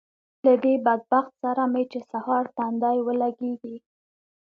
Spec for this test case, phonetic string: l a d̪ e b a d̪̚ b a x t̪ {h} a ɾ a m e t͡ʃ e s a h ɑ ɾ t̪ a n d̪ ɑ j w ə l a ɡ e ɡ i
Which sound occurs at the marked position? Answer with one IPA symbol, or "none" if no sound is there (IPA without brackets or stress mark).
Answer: s